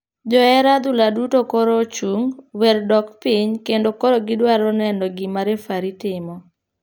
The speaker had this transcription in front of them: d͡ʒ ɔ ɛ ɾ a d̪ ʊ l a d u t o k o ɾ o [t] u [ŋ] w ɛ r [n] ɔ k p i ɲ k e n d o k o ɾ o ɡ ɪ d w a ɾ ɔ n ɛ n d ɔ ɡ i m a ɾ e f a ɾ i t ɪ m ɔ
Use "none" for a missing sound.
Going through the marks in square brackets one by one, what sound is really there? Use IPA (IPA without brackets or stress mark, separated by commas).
t͡ʃ, ŋ, d